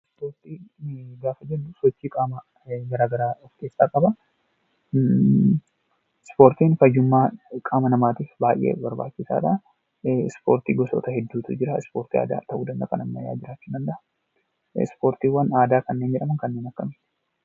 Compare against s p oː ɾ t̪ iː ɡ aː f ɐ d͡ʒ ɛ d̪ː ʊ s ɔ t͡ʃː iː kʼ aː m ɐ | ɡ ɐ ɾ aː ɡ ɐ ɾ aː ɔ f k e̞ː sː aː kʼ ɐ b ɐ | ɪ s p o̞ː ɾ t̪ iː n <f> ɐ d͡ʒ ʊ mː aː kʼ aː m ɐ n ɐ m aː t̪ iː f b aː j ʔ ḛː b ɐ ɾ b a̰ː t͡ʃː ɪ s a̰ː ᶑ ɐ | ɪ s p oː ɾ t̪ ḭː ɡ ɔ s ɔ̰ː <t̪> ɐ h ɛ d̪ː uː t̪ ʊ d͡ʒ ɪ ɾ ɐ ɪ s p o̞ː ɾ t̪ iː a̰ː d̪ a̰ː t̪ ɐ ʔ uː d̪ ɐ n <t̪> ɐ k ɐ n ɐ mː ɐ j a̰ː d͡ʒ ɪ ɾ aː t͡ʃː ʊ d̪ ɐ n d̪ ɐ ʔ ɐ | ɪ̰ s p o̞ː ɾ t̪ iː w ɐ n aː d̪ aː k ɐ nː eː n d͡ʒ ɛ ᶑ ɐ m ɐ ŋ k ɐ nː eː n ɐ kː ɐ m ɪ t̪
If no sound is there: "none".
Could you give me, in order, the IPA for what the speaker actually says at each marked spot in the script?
f, t̪, d̪

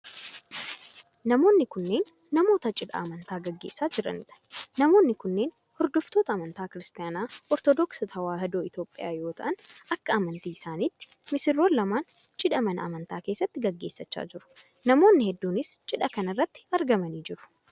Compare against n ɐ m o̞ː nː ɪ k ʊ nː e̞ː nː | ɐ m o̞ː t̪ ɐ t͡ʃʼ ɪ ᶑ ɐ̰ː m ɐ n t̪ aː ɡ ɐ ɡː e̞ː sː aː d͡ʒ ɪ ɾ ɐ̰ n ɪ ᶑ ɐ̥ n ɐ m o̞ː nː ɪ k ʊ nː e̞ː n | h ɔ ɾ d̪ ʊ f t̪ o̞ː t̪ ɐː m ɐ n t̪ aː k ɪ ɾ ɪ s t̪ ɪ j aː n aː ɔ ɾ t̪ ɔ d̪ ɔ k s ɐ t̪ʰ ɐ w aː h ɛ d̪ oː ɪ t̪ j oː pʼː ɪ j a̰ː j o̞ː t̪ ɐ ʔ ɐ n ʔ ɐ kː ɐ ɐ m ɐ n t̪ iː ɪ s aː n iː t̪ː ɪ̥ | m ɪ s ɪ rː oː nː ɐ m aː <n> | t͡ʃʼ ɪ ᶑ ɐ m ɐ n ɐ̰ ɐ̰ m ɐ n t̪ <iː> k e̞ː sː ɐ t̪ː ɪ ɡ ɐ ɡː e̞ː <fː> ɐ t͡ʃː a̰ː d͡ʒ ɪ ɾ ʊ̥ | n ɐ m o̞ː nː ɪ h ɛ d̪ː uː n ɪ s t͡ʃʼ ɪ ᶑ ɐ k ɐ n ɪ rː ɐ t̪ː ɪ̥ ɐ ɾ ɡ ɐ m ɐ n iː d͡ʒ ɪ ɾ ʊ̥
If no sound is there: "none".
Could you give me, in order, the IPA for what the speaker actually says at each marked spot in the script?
n, aː, sː

